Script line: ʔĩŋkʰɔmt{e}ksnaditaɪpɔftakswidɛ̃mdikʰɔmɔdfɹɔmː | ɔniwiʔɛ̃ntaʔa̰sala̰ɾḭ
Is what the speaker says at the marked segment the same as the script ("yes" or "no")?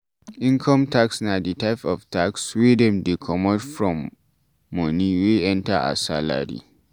no